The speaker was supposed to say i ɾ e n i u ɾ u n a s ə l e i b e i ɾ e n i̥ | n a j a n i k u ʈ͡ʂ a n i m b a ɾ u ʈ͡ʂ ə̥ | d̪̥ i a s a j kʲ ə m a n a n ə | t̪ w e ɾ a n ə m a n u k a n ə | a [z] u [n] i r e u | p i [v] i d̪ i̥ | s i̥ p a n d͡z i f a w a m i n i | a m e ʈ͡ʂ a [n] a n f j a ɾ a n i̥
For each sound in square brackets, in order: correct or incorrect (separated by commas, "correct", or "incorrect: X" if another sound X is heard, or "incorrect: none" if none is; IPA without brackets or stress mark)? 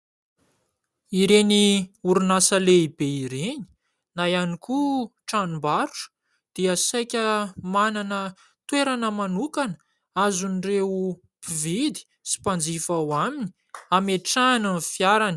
correct, correct, correct, correct